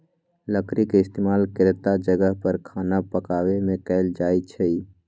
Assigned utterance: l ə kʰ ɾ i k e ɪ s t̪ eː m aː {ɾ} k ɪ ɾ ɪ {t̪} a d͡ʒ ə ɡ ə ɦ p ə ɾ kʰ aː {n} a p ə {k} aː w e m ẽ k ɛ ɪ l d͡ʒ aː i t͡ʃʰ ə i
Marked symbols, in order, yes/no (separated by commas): no, yes, yes, yes